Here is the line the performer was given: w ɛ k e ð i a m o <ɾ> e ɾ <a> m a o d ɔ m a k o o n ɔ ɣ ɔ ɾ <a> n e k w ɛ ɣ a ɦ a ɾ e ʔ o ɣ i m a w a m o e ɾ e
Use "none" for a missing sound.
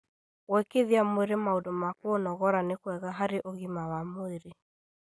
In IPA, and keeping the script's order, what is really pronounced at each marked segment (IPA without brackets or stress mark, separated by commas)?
none, e, a